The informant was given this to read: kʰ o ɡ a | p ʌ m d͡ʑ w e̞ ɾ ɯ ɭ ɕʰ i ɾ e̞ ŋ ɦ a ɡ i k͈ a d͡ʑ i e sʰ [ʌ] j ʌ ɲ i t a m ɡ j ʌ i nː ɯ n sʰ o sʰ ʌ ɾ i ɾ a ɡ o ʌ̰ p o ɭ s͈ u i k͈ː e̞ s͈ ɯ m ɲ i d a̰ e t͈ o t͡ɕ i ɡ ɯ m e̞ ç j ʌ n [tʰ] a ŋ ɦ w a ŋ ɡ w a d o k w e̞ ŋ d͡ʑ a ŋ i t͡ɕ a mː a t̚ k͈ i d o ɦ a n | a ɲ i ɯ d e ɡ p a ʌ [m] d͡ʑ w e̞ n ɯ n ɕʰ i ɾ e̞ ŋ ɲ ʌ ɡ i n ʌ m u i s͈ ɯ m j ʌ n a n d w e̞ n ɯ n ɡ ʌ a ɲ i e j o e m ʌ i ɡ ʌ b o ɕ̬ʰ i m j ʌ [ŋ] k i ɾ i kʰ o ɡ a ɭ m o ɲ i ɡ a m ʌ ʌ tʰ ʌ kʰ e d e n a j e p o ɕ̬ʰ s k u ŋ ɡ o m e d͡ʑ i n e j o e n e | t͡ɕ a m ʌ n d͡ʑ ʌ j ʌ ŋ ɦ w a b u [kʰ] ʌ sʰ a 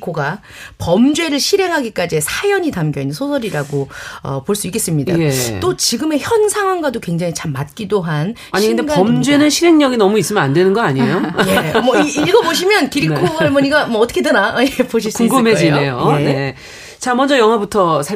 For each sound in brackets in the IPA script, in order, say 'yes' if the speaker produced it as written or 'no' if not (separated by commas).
no, no, yes, no, no